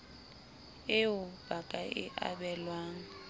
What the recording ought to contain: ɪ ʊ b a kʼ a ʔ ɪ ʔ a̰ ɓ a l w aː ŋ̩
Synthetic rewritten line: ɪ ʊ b a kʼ a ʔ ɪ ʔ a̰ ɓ ɛ l w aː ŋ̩